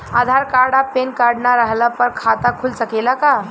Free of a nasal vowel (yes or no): yes